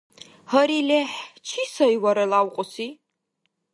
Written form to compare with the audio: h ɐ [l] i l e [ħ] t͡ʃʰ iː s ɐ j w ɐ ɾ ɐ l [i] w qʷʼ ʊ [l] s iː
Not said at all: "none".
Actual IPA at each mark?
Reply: ɾ, ħ, a, none

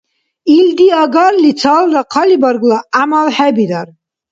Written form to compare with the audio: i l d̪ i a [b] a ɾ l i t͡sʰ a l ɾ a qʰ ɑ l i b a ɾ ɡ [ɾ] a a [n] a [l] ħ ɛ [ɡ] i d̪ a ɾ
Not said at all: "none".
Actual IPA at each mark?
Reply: ɡ, l, m, l, b

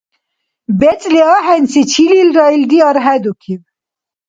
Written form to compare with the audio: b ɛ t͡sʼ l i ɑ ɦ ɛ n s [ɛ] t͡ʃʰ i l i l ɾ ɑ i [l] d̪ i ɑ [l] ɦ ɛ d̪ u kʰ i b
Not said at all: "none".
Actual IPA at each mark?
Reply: i, l, ɾ

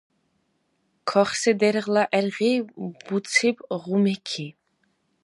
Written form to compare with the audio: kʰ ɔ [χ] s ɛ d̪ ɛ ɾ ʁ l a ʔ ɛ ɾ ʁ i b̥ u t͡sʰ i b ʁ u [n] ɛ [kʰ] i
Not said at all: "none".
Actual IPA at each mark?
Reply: χ, m, kʰ

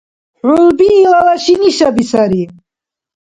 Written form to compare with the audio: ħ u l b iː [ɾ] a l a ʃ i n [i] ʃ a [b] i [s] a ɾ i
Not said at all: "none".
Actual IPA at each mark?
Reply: l, i, b, s

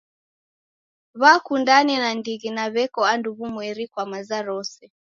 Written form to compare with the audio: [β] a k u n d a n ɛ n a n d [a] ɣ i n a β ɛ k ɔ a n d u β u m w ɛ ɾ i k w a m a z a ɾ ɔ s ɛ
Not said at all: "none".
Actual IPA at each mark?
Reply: β, i

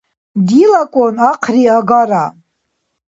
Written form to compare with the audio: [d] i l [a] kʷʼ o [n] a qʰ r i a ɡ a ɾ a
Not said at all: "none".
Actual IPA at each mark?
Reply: d, a, n

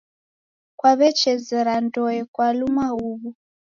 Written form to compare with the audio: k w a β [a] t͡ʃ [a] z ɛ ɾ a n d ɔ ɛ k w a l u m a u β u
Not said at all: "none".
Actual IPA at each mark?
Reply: ɛ, ɛ

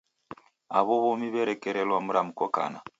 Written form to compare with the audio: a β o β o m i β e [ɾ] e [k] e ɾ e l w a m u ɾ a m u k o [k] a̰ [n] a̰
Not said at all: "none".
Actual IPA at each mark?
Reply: ɾ, k, k, n

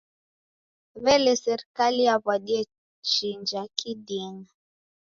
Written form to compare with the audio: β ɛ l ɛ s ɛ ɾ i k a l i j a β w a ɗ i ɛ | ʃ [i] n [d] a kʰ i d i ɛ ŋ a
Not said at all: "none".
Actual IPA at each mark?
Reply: i, d͡ʒ

